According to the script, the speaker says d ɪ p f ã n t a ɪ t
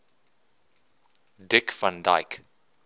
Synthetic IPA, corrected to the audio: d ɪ k f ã n d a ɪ k